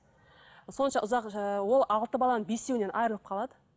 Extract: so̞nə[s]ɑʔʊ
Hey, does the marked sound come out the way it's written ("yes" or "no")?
no